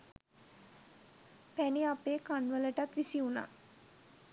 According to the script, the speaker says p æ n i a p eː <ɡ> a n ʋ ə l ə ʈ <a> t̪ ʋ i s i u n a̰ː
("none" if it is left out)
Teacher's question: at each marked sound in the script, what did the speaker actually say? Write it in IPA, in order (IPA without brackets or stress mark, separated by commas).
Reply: k, a